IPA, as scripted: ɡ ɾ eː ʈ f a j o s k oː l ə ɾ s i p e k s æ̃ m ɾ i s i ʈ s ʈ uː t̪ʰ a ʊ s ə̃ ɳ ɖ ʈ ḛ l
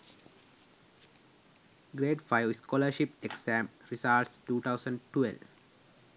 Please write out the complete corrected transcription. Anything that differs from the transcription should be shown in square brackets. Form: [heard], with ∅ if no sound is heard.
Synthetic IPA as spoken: ɡ ɾ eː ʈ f a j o s k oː l ə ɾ [ʃ] i p e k s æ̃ m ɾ i s [a] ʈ s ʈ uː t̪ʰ a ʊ s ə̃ ɳ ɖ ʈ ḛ l